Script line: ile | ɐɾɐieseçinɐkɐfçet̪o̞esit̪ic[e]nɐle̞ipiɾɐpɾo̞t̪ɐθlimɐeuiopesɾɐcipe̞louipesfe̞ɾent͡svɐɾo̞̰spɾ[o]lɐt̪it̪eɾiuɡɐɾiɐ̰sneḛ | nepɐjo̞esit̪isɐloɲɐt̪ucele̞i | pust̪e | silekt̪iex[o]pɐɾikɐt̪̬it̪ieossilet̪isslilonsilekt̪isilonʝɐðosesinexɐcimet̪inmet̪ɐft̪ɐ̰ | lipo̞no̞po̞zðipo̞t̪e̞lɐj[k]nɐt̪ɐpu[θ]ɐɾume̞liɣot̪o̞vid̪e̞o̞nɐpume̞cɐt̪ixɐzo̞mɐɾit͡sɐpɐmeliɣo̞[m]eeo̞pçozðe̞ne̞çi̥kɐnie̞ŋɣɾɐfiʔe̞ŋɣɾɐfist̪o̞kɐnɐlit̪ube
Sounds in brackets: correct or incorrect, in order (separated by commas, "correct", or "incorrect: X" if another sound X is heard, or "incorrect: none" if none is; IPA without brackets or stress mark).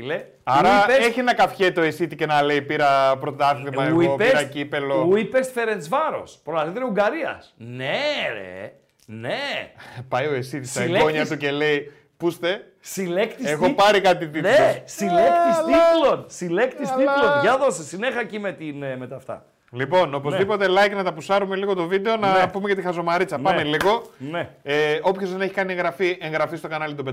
correct, correct, correct, correct, incorrect: s, incorrect: n